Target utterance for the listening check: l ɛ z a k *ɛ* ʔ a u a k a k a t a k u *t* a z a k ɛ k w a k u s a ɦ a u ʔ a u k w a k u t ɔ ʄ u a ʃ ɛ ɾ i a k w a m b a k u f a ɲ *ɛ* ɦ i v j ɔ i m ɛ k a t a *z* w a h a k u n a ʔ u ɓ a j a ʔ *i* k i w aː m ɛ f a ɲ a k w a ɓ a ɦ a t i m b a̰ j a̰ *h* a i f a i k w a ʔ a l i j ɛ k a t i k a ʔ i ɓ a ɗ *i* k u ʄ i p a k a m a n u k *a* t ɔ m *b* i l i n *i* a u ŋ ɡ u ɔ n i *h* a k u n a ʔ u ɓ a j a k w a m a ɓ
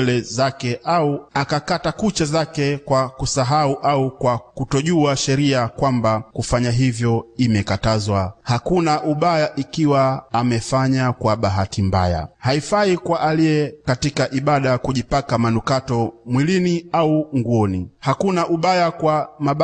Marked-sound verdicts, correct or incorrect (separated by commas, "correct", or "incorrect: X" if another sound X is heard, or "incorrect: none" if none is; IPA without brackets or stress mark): correct, incorrect: t͡ʃ, incorrect: a, correct, correct, correct, incorrect: a, correct, incorrect: w, correct, correct